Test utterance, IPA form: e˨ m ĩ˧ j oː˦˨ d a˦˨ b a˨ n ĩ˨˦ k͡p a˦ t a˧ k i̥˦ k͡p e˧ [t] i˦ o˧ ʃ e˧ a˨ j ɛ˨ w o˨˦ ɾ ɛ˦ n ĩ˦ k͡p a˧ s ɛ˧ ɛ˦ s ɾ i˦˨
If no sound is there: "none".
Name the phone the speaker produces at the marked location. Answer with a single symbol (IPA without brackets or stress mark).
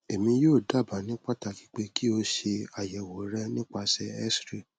k